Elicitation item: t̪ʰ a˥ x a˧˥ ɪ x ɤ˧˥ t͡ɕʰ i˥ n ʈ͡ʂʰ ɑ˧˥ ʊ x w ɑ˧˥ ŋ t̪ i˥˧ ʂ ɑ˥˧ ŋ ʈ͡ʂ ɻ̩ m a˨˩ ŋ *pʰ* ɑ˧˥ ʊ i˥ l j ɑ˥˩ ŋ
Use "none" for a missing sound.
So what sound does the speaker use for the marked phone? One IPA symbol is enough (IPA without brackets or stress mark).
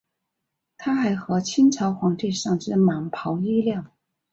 pʰ